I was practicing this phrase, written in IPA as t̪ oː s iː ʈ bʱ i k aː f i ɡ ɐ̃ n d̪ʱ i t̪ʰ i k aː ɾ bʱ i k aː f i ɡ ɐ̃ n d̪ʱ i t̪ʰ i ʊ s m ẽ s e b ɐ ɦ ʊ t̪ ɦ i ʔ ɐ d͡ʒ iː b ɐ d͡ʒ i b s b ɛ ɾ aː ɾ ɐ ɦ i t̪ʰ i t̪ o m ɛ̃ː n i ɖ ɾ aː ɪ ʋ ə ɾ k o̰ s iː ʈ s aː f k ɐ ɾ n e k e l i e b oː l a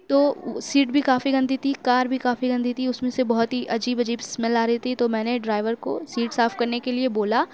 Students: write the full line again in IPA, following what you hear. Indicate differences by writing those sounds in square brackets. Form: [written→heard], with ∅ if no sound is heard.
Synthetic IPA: t̪ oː s iː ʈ bʱ i k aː f i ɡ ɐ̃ n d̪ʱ i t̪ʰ i k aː ɾ bʱ i k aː f i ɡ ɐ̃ n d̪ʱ i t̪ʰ i ʊ s m ẽ s e b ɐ ɦ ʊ t̪ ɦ i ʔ ɐ d͡ʒ iː b ɐ d͡ʒ [i→iː] b s [b→m] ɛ [ɾ→l] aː ɾ ɐ ɦ i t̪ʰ i t̪ o m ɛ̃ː n [i→e] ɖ ɾ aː ɪ ʋ ə ɾ k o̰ s iː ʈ s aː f k ɐ ɾ n e k e l i e b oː l a